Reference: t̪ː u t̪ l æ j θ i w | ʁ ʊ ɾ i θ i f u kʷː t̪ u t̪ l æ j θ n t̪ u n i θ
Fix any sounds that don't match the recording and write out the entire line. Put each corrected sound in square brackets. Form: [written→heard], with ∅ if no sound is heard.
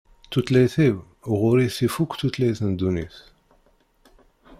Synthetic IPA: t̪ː u t̪ l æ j θ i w | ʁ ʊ ɾ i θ i f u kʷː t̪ u t̪ l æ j θ n [t̪→d̪] u n i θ